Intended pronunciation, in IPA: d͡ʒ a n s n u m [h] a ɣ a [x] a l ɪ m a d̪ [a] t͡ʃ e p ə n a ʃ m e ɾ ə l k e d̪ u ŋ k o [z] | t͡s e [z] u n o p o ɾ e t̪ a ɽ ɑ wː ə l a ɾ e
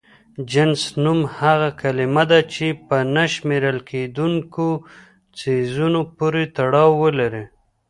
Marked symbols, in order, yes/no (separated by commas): yes, no, yes, no, yes